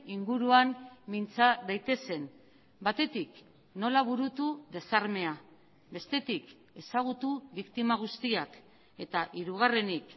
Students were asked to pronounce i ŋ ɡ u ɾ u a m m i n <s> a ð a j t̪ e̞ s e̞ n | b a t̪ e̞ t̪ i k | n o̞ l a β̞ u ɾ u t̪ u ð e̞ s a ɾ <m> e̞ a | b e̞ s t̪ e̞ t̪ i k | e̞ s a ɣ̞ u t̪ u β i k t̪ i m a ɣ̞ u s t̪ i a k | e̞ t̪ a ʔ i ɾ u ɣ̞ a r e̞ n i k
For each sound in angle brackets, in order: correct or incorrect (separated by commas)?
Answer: incorrect, correct